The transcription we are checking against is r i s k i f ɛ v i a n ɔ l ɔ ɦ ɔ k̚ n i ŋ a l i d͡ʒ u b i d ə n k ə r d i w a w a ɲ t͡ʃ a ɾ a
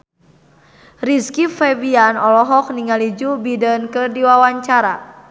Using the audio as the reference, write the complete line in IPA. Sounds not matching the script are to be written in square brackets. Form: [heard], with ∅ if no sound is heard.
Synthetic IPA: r i s k i f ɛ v i a n ɔ l ɔ ɦ ɔ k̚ n i ŋ a l i d͡ʒ u b i d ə n k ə r d i w a w a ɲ t͡ʃ a ɾ a